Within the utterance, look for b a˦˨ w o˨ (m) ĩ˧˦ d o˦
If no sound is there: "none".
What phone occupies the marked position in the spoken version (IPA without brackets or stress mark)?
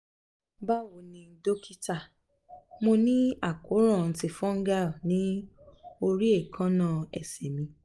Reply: n